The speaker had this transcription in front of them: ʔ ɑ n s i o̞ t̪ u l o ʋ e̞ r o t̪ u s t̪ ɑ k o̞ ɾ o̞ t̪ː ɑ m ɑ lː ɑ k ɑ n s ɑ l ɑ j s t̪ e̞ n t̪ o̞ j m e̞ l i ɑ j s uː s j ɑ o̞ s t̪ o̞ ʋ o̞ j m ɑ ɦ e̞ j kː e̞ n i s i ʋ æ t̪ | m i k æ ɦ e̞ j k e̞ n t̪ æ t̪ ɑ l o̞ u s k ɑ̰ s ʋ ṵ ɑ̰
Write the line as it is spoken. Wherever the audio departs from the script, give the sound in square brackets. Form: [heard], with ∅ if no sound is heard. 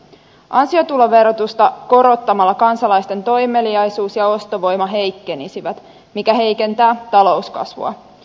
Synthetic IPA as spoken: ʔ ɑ n s i o̞ t̪ u l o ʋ e̞ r o t̪ u s t̪ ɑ k o̞ ɾ o̞ t̪ː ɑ m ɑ lː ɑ k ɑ n s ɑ l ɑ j s t̪ e̞ n t̪ o̞ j m e̞ l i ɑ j s uː s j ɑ o̞ s t̪ o̞ ʋ o̞ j m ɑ ɦ e̞ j kː e̞ n i s i ʋ æ t̪ | m i k æ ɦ e̞ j k e̞ n t̪ [æː] t̪ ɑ l o̞ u s k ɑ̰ s ʋ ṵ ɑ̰

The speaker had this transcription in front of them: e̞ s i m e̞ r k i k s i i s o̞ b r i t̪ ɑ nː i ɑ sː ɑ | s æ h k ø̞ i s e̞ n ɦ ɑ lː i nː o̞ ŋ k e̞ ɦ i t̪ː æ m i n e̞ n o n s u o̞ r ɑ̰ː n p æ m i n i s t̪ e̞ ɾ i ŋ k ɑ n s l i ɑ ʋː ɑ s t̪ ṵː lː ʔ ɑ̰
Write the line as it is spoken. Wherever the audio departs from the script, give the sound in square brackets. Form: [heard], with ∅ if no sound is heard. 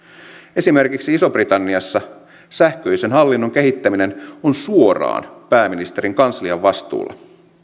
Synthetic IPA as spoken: e̞ s i m e̞ r k i k s i i s o̞ b r i t̪ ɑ nː i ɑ sː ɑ | s æ h k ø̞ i s e̞ n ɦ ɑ lː i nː o̞ ŋ k e̞ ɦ i t̪ː æ m i n e̞ n o n s u o̞ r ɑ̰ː n p [æː] m i n i s t̪ e̞ ɾ i ŋ k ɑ n s l i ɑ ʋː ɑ s t̪ ṵː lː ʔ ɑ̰

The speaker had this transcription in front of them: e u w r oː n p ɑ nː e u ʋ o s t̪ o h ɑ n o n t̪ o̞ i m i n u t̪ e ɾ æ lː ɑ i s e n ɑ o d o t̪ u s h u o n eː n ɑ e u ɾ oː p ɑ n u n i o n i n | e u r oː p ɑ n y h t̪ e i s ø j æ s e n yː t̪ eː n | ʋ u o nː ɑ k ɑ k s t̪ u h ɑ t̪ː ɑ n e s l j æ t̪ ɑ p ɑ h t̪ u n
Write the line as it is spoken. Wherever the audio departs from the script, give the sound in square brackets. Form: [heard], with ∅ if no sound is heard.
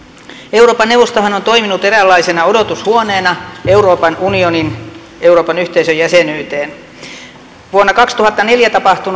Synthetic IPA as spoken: e u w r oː [∅] p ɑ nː e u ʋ o s t̪ o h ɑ n o n t̪ o̞ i m i n u t̪ e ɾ æ lː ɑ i s e n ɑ o d o t̪ u s h u o n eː n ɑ e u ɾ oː p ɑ n u n i o n i n | e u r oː p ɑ n y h t̪ e i s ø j æ s e n yː t̪ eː n | ʋ u o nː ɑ k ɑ k s t̪ u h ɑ t̪ː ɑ n e [∅] l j æ t̪ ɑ p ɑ h t̪ u n

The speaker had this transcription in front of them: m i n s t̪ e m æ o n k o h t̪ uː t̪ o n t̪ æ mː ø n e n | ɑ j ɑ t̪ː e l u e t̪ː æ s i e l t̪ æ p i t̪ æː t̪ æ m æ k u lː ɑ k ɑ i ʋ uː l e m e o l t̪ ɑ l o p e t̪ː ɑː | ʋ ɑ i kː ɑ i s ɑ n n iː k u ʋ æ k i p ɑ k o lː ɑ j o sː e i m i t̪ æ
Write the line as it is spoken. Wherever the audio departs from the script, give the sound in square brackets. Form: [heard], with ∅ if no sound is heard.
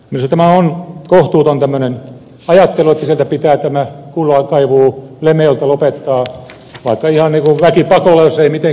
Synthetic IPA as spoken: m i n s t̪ [æ] m æ o n k o h t̪ uː t̪ o n t̪ æ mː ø n e n | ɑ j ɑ t̪ː e l u e t̪ː æ s i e l t̪ æ p i t̪ æː t̪ æ m æ k u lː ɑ k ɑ i ʋ uː l e m e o l t̪ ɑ l o p e t̪ː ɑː | ʋ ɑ i kː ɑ i [h] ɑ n n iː k u ʋ æ k i p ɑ k o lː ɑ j o sː e i m i t̪ [e]

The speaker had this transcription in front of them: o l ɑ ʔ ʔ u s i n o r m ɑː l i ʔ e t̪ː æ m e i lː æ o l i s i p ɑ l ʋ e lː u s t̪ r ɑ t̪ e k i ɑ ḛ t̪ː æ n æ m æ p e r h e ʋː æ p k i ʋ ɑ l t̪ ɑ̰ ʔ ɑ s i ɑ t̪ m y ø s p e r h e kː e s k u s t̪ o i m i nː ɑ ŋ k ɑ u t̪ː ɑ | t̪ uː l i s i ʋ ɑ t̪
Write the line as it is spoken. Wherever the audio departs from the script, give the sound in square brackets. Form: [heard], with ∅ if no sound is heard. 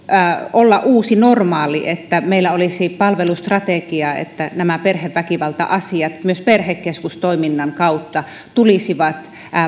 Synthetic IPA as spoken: o [lː] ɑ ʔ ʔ [uː] s i n o r m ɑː l i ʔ e t̪ː æ m e i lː æ o l i s i p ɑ l ʋ e [l] u s t̪ r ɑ t̪ e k i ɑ ḛ t̪ː æ n æ m æ p e r h e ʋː æ [∅] k i ʋ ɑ l t̪ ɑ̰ ʔ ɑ s i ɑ t̪ m y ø s p e r h e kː e s k u s t̪ o i m i nː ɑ ŋ k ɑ u t̪ː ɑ | t̪ [u] l i s i ʋ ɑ t̪

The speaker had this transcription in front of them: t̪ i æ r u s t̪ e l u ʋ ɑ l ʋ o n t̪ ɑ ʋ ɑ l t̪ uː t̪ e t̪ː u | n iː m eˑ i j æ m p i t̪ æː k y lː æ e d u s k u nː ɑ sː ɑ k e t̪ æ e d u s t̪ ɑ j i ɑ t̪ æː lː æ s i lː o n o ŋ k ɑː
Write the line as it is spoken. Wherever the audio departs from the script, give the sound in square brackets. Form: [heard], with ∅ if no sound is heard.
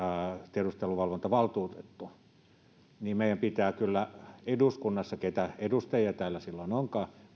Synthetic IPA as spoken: t̪ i [e] r u s t̪ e l u ʋ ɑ l ʋ o n t̪ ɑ ʋ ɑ l t̪ uː t̪ e t̪ː u | n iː m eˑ i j æ m p i t̪ æː k y lː æ e d u s k u nː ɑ sː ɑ k e t̪ æ e d u s t̪ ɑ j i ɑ t̪ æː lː æ s i lː o n o ŋ k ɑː

